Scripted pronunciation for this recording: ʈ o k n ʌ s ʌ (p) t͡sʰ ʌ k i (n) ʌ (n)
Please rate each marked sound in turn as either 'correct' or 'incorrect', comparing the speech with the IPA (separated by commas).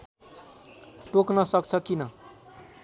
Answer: incorrect, correct, incorrect